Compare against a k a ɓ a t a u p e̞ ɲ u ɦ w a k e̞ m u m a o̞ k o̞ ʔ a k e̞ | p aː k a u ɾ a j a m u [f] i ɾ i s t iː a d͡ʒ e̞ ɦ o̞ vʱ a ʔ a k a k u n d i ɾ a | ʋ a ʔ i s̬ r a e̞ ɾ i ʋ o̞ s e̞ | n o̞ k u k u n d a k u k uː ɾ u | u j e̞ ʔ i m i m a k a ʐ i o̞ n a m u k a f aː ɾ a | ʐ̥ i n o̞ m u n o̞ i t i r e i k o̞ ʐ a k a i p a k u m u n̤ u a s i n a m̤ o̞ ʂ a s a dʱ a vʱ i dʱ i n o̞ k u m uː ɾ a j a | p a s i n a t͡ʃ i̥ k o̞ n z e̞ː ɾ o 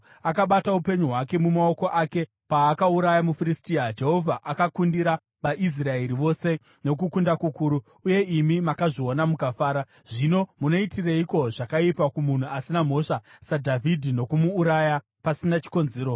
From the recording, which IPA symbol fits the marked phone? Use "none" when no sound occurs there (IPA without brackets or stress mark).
f